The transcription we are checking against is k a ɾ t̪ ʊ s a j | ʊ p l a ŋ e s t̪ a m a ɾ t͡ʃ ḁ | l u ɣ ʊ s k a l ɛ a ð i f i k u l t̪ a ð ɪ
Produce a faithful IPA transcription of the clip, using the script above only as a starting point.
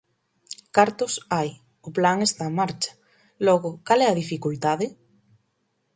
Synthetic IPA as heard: k a ɾ t̪ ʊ s a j | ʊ p l a ŋ e s t̪ a m a ɾ t͡ʃ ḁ | l ɔ ɣ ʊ k a l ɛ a ð i f i k u l t̪ a ð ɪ